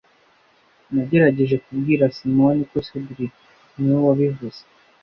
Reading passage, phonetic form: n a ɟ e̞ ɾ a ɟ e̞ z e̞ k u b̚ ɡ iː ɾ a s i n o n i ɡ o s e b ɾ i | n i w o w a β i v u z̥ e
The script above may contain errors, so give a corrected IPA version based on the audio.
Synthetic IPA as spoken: n a ɟ e̞ ɾ a ɟ e̞ ʒ e̞ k u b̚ ɡ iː ɾ a s i m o n i k o s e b ɾ i | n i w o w a β i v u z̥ e